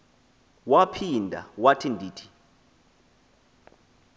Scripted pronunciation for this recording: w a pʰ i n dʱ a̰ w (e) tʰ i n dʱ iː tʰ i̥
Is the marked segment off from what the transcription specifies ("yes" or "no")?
yes